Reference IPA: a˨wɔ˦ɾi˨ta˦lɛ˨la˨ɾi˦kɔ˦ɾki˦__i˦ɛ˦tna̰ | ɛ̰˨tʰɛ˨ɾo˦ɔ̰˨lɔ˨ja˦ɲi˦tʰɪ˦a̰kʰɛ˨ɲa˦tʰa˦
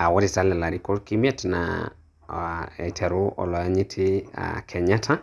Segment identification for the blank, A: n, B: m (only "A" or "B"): B